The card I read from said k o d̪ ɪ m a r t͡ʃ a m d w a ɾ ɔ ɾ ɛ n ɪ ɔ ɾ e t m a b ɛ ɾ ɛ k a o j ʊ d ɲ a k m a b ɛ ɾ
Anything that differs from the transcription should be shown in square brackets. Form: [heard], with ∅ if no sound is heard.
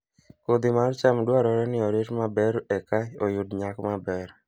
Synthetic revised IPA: k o d̪ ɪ m a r t͡ʃ a m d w a ɾ ɔ ɾ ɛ n ɪ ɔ ɾ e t m a b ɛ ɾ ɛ k a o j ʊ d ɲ a k m a b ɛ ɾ